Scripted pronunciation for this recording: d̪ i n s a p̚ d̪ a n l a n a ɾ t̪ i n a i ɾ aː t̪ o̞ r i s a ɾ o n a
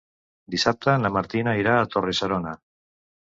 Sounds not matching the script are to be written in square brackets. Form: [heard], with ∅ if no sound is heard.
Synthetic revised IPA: d̪ i [∅] s a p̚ [t̪] a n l a [m] a ɾ t̪ i n a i ɾ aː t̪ o̞ r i s a ɾ o n a